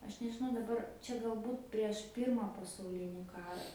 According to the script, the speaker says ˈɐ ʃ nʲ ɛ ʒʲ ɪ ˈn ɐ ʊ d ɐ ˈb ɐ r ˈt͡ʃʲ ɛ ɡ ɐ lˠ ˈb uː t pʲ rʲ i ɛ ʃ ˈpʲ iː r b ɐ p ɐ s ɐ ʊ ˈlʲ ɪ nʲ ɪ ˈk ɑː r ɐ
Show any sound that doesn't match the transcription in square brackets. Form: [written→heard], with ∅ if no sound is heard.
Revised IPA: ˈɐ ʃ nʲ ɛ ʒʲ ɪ ˈn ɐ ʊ d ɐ ˈb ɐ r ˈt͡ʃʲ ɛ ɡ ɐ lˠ ˈb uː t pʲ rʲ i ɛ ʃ ˈpʲ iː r [b→m] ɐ p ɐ s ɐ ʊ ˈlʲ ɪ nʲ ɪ ˈk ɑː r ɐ